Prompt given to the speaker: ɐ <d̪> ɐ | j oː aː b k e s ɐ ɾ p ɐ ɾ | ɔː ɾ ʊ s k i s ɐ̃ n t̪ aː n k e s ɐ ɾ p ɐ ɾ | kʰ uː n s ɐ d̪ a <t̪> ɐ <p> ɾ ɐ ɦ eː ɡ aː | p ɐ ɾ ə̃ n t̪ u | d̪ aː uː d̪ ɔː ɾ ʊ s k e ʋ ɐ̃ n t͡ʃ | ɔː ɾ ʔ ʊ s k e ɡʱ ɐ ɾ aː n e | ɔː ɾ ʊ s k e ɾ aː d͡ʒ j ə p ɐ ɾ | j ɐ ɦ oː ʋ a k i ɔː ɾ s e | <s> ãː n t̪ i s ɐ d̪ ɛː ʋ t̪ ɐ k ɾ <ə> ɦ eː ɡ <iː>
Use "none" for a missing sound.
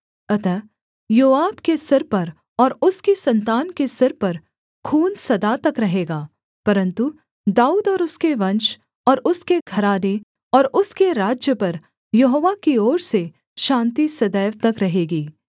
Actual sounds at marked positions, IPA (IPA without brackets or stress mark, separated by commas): t̪, t̪, k, ʃ, ɐ, iː